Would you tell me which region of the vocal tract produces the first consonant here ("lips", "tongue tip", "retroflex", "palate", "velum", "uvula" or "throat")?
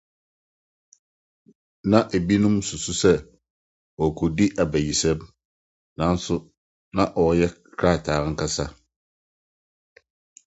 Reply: tongue tip